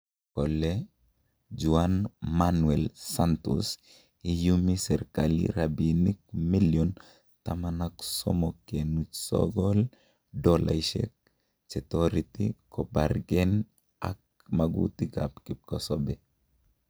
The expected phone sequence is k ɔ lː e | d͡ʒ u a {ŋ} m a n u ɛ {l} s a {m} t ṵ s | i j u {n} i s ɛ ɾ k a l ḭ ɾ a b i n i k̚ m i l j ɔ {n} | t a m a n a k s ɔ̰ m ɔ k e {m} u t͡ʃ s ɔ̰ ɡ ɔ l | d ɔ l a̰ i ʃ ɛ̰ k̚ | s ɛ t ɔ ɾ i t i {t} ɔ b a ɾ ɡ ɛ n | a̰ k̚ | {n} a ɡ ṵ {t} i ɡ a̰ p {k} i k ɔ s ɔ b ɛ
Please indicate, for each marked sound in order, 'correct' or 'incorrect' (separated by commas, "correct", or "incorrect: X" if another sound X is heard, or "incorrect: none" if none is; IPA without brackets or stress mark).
incorrect: n, correct, incorrect: n, incorrect: m, correct, incorrect: n, incorrect: k, incorrect: m, correct, correct